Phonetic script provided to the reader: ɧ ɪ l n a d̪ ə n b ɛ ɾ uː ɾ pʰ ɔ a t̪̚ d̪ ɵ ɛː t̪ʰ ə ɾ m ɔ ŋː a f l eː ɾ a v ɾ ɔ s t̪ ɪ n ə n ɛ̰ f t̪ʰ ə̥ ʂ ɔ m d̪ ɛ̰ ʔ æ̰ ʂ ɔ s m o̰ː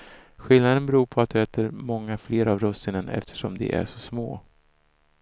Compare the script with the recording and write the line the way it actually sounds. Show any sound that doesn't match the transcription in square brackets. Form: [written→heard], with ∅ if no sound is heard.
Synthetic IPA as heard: ɧ ɪ l n a d̪ ə n b ɛ ɾ uː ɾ pʰ ɔ a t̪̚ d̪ ɵ ɛː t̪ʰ ə ɾ m ɔ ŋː a f l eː ɾ a v ɾ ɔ s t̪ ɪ n ə n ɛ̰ f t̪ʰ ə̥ ʂ ɔ m d̪ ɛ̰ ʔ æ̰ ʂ ɔ s m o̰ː